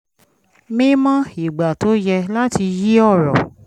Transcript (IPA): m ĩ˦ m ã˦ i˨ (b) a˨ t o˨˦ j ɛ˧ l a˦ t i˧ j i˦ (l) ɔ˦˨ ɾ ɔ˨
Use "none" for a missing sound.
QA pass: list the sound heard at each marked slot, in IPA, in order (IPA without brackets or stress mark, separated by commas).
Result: ɡ͡b, none